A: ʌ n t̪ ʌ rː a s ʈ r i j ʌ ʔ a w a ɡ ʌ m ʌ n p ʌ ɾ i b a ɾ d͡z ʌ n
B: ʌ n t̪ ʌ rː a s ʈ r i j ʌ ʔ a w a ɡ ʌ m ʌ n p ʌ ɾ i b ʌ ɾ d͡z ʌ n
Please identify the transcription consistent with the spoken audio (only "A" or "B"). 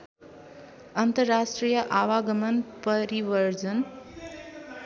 B